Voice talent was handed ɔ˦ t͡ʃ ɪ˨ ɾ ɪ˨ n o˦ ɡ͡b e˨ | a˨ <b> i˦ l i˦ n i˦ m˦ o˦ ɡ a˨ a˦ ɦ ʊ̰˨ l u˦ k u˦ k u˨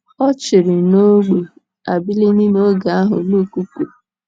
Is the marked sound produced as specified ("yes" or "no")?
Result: yes